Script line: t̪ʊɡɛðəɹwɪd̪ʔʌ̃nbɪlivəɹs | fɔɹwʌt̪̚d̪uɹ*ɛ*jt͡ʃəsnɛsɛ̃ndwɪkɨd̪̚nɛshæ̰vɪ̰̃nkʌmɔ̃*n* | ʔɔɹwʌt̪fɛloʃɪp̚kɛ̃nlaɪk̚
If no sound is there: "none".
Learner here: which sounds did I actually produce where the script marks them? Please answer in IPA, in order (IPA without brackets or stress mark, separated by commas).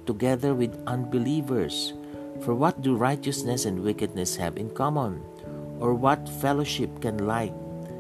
a, n